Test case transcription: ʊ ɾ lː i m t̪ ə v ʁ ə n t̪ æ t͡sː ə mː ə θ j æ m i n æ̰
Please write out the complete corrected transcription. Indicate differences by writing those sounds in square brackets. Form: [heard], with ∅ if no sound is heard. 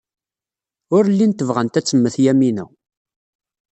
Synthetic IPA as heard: ʊ ɾ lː i [n] t̪ ə v ʁ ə n t̪ æ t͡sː ə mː ə θ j æ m i n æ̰